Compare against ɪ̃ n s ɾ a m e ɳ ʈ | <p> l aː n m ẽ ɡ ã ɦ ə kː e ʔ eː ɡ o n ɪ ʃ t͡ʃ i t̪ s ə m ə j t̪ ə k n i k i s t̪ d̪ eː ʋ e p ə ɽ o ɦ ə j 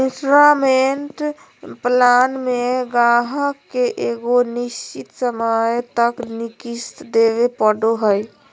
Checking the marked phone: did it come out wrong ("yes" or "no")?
no